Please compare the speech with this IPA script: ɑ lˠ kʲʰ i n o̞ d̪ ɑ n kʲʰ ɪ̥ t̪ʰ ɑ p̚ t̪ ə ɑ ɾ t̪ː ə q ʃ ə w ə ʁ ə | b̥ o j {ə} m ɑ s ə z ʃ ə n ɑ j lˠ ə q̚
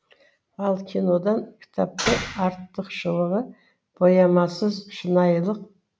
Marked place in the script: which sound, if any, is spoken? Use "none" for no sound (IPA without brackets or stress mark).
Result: ɑ